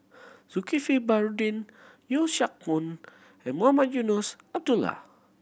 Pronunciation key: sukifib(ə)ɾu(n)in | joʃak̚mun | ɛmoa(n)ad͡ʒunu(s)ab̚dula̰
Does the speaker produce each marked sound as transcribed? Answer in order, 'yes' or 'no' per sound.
no, no, no, yes

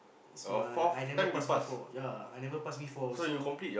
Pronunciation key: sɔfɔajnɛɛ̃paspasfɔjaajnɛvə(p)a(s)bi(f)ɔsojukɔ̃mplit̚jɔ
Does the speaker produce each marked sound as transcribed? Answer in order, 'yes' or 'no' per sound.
yes, yes, yes

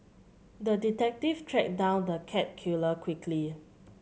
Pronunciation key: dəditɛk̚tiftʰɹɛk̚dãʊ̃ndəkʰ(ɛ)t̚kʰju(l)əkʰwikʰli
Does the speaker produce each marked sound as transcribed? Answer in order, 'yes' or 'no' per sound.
yes, yes

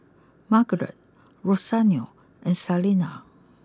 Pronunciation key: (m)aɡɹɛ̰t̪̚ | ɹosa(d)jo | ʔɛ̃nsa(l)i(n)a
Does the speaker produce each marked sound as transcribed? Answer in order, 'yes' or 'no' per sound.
yes, no, yes, yes

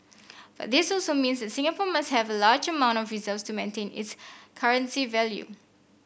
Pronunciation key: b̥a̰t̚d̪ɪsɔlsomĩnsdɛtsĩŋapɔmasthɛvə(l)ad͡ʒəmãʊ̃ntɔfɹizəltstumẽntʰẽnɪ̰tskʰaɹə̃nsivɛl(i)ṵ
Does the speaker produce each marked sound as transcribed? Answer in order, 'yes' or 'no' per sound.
yes, no

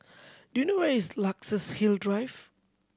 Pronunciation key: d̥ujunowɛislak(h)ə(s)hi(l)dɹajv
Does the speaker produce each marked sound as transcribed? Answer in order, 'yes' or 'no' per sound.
no, yes, yes

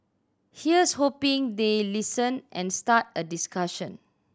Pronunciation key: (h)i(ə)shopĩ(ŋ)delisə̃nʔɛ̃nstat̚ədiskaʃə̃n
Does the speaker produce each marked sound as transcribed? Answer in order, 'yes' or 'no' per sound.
yes, yes, yes

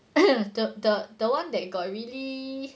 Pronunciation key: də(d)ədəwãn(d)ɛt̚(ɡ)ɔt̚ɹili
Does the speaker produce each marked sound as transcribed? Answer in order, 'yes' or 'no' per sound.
yes, yes, yes

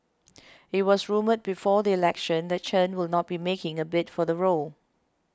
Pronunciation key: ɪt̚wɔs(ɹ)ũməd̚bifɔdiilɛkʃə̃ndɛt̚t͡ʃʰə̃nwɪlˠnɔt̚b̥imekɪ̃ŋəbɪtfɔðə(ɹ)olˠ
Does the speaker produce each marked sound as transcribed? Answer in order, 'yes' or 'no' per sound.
yes, yes

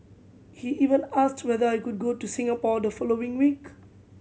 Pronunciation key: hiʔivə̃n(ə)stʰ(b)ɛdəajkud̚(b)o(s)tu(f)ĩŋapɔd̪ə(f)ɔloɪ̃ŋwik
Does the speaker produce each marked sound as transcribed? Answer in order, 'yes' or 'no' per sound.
no, no, no, no, no, yes

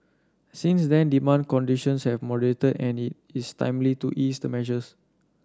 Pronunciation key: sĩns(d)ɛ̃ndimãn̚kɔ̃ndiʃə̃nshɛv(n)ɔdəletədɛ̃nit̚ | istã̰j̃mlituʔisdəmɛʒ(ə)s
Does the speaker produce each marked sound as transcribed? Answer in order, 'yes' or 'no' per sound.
yes, no, yes

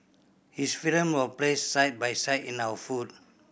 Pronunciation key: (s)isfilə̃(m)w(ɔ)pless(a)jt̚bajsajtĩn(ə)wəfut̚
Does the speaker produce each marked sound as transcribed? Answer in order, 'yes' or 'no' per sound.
no, yes, yes, yes, no

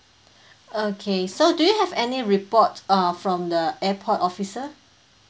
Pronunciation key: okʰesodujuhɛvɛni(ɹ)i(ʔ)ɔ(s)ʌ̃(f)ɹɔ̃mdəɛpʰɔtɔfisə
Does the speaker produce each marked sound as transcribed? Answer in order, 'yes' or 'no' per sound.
yes, no, no, yes

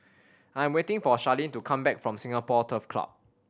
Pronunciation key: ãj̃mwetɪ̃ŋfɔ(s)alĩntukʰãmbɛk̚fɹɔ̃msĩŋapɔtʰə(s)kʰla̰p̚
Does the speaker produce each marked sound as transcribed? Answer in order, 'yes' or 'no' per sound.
no, no

